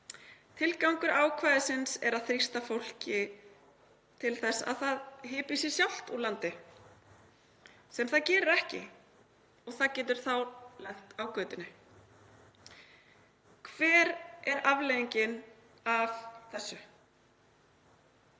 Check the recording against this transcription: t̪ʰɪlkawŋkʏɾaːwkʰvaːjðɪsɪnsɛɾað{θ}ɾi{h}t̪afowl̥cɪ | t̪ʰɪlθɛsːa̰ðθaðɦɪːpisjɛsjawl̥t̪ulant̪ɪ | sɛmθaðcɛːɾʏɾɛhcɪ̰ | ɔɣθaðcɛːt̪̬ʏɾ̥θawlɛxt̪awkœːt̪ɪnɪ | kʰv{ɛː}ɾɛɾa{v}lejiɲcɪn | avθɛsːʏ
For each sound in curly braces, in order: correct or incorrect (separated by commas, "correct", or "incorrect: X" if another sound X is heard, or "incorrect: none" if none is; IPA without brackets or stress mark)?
correct, incorrect: s, correct, correct